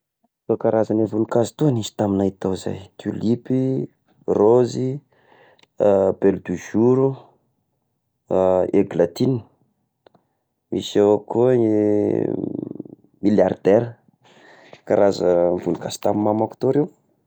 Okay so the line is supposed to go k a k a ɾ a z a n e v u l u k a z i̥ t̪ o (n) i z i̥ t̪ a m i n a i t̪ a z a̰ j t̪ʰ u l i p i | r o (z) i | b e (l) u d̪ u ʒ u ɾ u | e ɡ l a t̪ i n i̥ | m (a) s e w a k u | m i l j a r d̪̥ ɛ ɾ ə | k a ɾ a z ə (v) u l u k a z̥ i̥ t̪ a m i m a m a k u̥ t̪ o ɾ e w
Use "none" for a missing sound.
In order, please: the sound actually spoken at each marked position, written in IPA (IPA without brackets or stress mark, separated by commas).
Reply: n, z, l, i, v